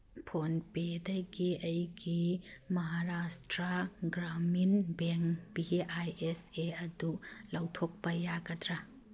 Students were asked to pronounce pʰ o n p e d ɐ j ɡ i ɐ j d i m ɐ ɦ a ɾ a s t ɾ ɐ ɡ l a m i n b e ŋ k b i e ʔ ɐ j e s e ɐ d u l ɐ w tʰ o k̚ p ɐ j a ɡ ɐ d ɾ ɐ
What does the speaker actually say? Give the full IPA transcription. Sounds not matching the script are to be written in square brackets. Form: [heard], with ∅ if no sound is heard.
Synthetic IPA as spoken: pʰ o n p e d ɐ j ɡ i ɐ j [ɡ] i m ɐ ɦ a ɾ a s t ɾ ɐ ɡ [ɾ] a m i n b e ŋ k b i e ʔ [a] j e s e ɐ d u l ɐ w tʰ o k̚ p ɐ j a ɡ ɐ d ɾ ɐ